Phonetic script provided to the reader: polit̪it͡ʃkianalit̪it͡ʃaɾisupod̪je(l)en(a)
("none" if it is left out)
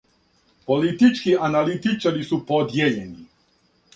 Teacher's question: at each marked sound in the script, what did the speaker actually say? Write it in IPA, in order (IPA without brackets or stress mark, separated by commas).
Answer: ʎ, i